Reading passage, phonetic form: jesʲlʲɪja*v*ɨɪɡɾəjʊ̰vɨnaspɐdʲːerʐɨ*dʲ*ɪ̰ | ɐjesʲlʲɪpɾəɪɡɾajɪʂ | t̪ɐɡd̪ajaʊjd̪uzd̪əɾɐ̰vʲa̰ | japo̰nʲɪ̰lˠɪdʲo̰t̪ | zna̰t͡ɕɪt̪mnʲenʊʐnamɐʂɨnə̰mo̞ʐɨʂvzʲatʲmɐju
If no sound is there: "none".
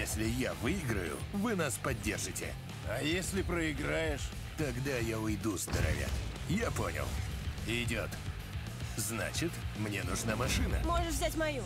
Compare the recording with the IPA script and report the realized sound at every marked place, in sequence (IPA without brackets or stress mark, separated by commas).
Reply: v, tʲ